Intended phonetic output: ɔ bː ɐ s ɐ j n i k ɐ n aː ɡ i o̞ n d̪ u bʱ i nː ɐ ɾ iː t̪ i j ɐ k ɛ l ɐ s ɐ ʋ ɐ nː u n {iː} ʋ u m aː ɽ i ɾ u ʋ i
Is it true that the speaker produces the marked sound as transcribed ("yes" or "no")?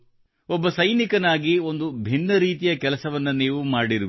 yes